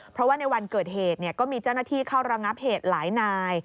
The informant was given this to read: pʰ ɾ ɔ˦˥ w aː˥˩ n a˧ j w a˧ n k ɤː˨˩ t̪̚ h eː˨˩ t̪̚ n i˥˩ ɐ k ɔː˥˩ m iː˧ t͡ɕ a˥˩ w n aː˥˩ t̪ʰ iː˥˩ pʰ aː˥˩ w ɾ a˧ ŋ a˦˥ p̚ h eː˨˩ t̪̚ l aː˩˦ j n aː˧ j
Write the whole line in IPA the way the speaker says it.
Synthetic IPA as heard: pʰ ɾ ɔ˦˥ w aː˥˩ n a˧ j w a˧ n k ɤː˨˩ t̪̚ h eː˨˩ t̪̚ n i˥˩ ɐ k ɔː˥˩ m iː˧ t͡ɕ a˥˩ w n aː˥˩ t̪ʰ iː˥˩ kʰ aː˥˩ w ɾ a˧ ŋ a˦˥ p̚ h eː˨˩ t̪̚ l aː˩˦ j n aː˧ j